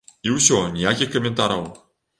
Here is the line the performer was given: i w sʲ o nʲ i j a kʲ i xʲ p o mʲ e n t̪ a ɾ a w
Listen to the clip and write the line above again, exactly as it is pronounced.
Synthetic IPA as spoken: i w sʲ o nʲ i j a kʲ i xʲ k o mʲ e n t̪ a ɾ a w